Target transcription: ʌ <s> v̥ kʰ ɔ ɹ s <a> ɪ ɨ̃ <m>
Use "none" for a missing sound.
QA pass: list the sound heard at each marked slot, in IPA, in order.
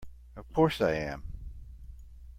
none, a, m

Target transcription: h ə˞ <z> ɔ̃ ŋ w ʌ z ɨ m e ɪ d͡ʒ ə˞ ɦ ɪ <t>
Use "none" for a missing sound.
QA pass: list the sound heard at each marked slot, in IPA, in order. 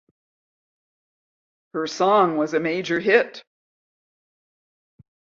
s, t

